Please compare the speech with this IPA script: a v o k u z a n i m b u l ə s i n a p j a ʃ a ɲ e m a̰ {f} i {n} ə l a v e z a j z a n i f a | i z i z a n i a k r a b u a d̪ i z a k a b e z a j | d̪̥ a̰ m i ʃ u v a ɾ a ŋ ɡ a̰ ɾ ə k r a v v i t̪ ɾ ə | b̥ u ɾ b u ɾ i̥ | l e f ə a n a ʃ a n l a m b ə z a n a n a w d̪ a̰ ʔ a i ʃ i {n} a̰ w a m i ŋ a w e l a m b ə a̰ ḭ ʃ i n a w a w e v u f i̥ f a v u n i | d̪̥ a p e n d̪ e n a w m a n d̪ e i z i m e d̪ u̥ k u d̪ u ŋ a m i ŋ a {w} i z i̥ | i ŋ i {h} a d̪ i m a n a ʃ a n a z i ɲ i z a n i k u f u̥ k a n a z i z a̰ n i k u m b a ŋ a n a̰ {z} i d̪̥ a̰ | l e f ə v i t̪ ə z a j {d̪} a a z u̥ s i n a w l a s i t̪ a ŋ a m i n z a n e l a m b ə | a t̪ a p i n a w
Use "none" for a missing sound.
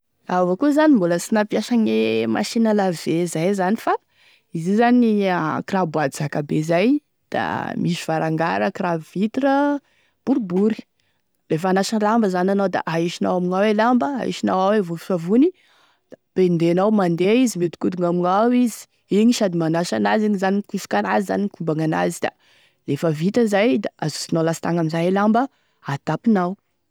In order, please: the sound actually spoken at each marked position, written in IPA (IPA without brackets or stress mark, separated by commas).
ʃ, n, n, w, ʃ, z, d̪